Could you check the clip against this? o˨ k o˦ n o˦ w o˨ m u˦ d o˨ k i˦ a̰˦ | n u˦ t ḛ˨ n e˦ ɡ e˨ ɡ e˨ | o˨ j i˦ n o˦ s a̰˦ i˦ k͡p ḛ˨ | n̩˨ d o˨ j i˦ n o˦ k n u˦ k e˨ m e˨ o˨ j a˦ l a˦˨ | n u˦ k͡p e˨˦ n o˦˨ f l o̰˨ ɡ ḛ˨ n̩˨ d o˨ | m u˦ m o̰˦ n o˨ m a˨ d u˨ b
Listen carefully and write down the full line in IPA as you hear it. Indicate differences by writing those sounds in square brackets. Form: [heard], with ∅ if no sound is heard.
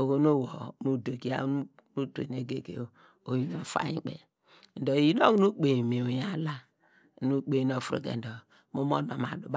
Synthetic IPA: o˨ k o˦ n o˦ w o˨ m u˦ d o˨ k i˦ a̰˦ | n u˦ t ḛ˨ n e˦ ɡ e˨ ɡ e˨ | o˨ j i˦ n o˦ [f] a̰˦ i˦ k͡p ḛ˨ | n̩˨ d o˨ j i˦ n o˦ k n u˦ [k͡p] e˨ m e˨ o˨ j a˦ l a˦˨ | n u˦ k͡p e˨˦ n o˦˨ f [ɾ] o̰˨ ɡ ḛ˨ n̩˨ d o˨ | m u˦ m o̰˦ n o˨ m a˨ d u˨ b